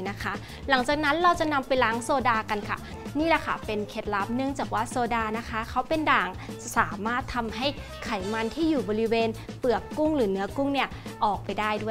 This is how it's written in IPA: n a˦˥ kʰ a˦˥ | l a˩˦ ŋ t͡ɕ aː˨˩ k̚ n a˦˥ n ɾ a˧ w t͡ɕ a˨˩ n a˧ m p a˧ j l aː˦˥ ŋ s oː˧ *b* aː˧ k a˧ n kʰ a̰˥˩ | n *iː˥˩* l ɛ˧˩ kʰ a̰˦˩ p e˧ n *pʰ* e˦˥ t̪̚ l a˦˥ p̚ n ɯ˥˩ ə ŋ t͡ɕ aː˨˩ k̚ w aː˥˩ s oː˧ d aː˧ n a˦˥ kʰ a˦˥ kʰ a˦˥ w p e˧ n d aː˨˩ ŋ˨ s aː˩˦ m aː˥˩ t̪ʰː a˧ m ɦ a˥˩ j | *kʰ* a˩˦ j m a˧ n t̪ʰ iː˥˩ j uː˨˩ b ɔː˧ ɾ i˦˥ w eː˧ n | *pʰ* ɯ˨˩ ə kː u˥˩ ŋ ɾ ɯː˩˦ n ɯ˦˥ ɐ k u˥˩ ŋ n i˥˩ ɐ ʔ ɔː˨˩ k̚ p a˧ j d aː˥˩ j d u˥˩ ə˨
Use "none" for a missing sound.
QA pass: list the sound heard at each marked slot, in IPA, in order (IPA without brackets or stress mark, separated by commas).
d, iː˥˩, kʰ, kʰ, p